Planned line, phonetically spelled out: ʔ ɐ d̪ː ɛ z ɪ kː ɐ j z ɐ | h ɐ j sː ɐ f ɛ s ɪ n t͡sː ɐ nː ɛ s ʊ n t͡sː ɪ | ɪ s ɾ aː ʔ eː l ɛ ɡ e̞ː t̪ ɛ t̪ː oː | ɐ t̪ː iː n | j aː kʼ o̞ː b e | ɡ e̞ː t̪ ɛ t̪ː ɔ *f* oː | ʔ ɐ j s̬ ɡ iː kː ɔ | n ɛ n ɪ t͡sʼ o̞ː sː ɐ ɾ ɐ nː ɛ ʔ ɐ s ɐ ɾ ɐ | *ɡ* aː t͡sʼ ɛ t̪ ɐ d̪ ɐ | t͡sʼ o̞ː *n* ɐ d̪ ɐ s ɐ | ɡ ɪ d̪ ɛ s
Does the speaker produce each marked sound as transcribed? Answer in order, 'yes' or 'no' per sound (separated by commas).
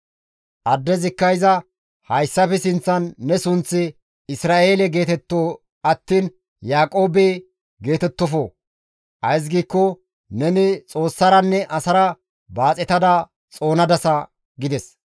yes, no, yes